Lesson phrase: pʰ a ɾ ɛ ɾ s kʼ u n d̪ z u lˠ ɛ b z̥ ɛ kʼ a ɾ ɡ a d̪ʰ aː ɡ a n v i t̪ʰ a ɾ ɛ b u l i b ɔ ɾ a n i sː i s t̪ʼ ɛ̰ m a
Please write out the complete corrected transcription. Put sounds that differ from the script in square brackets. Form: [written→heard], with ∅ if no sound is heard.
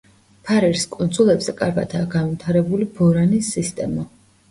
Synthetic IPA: pʰ a ɾ ɛ ɾ s kʼ u n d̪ z u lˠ ɛ b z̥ ɛ kʼ a ɾ ɡ a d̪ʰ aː ɡ a n v i t̪ʰ a ɾ ɛ b u l i b ɔ ɾ a n i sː i s t̪ʼ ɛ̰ m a